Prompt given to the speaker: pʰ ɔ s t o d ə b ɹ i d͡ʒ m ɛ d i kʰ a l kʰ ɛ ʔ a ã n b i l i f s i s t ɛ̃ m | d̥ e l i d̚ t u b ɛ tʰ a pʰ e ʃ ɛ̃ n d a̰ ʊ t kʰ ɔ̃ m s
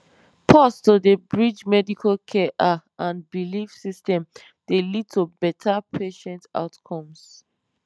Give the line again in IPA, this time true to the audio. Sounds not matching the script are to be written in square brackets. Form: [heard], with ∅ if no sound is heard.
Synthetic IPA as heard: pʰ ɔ s t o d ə b ɹ i d͡ʒ m ɛ d i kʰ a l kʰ ɛ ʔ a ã n b i l i f s i s t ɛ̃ m | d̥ e l i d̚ t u b ɛ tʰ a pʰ e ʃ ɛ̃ n [t] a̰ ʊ t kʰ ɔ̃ m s